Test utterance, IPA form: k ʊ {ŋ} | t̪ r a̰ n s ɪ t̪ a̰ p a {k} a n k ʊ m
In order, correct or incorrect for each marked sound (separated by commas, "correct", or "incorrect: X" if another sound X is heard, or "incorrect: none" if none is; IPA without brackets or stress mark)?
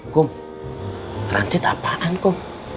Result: incorrect: m, incorrect: ʔ